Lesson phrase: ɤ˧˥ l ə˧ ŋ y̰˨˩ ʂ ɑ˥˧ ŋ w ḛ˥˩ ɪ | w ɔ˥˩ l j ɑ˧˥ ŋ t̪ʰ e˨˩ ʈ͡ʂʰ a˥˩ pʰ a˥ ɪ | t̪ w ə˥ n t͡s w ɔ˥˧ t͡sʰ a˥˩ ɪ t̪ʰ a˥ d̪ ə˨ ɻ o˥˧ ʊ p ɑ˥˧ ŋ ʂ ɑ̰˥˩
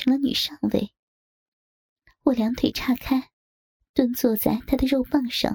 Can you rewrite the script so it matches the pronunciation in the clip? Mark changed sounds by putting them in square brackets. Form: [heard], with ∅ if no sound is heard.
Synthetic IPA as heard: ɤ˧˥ l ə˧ [n] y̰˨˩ ʂ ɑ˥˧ ŋ w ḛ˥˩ ɪ | w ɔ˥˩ l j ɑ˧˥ ŋ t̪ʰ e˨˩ ʈ͡ʂʰ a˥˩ [kʰ] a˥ ɪ | t̪ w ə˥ n t͡s w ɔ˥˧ [t͡s] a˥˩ ɪ t̪ʰ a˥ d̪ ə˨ ɻ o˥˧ ʊ p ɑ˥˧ ŋ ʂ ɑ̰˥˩